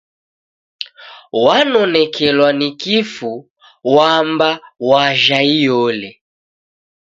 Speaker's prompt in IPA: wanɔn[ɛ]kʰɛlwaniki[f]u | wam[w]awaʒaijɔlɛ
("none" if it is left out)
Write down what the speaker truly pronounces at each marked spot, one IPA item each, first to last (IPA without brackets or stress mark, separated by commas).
ɛ, f, b